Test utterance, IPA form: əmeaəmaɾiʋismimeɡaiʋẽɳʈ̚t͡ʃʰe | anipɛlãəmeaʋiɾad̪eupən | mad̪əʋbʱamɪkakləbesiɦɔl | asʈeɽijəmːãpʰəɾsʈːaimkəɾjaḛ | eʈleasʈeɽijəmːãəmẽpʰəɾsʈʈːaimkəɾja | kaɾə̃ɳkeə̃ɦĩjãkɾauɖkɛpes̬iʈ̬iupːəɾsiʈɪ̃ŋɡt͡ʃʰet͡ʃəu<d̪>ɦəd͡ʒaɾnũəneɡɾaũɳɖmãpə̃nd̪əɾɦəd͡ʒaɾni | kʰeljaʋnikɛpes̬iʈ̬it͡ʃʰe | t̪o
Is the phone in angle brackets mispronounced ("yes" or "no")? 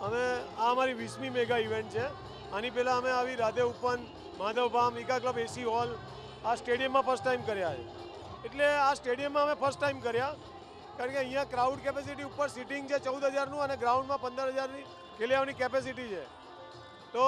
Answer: no